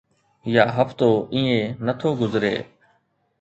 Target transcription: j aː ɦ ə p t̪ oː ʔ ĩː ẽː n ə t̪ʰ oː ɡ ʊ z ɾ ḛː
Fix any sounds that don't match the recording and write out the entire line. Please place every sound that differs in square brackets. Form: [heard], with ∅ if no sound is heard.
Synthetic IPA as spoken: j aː ɦ ə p t̪ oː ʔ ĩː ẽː n ə t̪ʰ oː ɡ ʊ z ɾ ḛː